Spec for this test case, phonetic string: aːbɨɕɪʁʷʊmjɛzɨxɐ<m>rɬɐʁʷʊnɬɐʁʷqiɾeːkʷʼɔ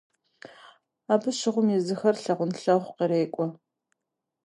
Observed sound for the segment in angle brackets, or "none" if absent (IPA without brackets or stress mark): none